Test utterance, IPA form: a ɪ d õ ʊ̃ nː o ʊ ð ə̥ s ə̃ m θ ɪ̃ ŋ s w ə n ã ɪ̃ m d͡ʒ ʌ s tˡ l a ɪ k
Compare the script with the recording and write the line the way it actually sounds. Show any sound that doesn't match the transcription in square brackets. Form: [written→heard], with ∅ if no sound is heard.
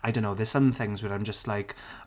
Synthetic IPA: a ɪ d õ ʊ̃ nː o ʊ ð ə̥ s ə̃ m θ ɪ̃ ŋ [s→z] w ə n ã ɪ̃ m d͡ʒ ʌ s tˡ l a ɪ k